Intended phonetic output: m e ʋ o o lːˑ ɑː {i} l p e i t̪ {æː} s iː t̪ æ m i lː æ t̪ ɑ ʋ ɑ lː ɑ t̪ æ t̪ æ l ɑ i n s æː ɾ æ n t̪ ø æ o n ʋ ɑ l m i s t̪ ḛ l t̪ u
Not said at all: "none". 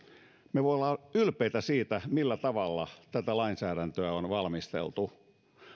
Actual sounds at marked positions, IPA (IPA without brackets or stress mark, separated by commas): y, æ